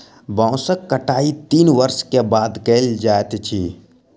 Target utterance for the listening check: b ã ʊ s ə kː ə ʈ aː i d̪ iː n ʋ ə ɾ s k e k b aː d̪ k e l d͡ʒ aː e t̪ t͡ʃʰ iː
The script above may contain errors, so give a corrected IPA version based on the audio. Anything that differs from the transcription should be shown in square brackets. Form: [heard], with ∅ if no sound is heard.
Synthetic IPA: b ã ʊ s ə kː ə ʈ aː i [t̪] iː n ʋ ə ɾ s k e [∅] b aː d̪ k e l d͡ʒ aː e t̪ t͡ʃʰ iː